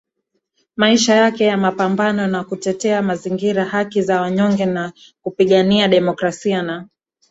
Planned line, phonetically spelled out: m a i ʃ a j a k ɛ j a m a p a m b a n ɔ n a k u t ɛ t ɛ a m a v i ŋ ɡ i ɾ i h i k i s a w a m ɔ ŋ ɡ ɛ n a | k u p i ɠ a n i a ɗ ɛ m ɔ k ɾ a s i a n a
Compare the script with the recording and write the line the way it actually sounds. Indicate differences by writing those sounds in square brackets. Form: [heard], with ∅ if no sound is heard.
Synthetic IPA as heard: m a i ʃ a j a k ɛ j a m a p a m b a n ɔ n a k u t ɛ t ɛ a m a [z] i ŋ ɡ i ɾ [a] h [a] k i [z] a w a [ɲ] ɔ ŋ ɡ ɛ n a | k u p i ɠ a n i a ɗ ɛ m ɔ k ɾ a s i a n a